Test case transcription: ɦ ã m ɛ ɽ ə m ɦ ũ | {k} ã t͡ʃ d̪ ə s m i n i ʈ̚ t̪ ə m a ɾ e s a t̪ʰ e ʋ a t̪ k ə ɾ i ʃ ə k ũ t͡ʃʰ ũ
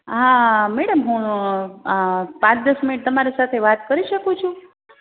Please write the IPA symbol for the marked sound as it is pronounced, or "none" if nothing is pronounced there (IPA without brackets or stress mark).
p